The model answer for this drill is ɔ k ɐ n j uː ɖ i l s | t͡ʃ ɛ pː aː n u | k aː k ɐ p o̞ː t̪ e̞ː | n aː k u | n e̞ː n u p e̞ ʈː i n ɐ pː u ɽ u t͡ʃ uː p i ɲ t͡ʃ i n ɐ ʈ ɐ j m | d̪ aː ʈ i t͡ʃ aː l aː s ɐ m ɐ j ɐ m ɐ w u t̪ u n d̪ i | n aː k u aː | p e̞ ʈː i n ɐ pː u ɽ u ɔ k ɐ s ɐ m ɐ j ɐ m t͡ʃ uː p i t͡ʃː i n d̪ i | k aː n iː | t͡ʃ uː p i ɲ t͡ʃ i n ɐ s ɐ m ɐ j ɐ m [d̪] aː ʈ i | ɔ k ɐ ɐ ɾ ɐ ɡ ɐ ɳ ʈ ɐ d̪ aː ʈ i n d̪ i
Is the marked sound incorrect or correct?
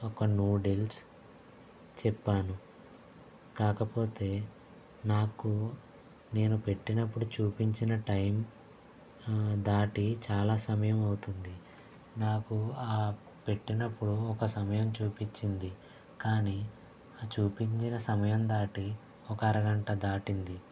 correct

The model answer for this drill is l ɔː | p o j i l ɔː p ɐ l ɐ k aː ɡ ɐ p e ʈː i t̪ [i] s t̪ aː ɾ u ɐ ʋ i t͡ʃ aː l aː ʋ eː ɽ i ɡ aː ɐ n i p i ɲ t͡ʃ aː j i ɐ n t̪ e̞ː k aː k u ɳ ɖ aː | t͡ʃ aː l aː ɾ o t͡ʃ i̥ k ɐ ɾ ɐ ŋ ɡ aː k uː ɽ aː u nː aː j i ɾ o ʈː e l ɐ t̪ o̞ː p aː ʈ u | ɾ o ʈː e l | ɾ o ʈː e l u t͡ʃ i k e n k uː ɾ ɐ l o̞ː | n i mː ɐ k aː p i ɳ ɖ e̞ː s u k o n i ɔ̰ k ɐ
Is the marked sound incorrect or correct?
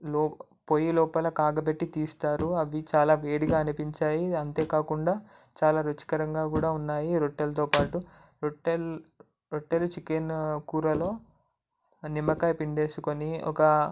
incorrect: iː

